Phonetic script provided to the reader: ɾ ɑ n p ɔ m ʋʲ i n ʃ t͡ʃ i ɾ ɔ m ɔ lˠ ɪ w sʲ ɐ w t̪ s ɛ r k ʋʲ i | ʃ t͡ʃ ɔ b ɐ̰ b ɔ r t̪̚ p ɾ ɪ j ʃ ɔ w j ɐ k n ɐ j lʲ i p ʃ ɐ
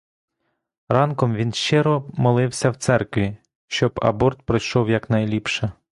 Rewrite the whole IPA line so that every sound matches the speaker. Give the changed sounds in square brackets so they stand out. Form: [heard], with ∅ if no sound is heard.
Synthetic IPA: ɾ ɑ n [k] ɔ m ʋʲ i n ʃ t͡ʃ [ɪ] ɾ ɔ m ɔ lˠ ɪ w sʲ ɐ w t̪ s ɛ r k ʋʲ i | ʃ t͡ʃ ɔ b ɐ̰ b ɔ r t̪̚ p ɾ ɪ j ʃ ɔ w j ɐ k n ɐ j lʲ i p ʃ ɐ